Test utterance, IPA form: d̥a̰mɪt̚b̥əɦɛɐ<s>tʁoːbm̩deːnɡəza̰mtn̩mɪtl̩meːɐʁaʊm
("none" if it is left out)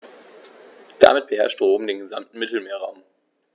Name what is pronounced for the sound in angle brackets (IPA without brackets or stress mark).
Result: ʃ